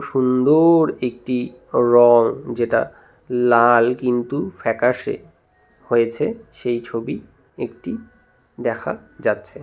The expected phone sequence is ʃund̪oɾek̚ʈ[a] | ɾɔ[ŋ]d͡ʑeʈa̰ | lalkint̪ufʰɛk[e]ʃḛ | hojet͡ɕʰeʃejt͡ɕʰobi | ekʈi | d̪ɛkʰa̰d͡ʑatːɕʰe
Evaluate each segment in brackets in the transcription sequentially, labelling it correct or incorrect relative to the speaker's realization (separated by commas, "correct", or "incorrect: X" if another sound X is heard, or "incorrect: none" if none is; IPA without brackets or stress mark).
incorrect: i, correct, incorrect: a